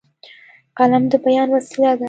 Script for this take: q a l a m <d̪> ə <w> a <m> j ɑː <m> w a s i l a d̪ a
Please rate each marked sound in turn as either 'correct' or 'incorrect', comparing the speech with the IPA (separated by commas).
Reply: correct, incorrect, incorrect, incorrect